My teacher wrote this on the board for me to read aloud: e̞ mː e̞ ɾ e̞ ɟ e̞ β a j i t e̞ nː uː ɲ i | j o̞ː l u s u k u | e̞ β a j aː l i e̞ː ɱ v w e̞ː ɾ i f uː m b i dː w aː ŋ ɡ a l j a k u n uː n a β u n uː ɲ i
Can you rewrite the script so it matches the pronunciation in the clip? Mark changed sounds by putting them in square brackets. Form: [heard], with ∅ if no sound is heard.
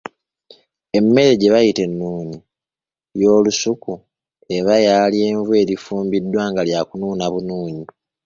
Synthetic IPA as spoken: e̞ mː e̞ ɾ e̞ ɟ e̞ β a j i t e̞ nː uː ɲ i | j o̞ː l u s u k u | e̞ β a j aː l i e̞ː ɱ v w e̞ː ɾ i f uː m b i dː w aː ŋ ɡ a l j a k u n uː n a β u n uː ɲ i